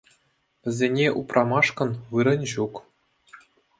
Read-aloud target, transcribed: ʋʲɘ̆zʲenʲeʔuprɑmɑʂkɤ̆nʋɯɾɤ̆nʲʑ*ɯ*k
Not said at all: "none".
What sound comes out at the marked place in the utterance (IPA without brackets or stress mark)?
u